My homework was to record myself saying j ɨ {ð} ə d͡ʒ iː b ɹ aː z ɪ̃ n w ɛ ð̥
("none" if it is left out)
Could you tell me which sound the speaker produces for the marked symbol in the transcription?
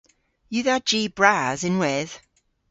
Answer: ð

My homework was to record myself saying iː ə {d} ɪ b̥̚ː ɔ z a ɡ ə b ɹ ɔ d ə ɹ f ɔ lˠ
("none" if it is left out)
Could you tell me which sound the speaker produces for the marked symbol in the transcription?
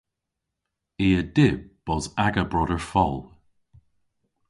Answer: d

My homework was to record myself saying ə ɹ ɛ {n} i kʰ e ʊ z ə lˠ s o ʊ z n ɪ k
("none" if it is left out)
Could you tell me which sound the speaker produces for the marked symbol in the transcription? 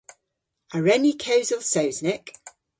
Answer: n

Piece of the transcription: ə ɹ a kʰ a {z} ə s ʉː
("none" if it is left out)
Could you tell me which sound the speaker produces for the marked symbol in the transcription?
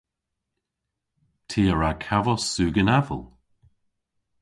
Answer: v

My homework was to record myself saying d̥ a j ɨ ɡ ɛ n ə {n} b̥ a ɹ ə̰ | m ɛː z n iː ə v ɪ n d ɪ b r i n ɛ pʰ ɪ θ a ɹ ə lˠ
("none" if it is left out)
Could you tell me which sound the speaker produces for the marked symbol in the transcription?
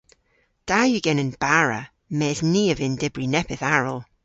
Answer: n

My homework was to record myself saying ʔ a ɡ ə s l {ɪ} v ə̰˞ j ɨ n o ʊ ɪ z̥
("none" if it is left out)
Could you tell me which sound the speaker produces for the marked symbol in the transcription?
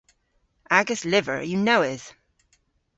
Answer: ɪ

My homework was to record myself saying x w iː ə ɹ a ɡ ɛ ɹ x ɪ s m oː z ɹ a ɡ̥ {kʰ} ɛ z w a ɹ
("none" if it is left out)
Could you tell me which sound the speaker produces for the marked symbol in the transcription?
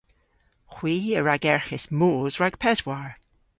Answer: pʰ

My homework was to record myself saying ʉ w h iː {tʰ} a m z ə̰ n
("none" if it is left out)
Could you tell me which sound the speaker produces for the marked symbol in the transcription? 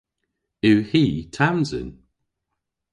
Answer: tʰ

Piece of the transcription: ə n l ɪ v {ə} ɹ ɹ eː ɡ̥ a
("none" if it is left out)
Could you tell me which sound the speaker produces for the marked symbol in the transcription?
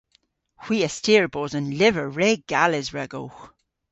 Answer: ə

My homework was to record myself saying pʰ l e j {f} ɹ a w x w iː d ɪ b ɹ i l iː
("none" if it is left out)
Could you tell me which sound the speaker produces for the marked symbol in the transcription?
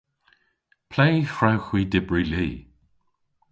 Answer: f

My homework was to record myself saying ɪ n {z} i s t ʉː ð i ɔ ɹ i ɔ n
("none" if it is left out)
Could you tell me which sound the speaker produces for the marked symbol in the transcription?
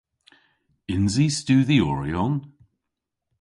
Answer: z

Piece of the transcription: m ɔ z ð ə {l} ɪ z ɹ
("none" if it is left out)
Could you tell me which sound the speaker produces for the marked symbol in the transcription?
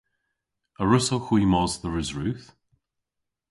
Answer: ɹ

